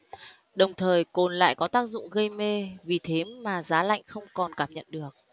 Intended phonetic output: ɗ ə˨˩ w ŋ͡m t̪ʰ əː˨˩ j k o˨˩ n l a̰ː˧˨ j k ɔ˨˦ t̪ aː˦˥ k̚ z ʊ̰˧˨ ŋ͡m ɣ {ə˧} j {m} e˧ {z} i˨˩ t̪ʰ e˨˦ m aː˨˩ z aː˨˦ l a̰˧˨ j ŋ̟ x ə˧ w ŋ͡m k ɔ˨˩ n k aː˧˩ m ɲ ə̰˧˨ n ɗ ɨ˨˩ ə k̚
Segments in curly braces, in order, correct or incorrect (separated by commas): correct, correct, incorrect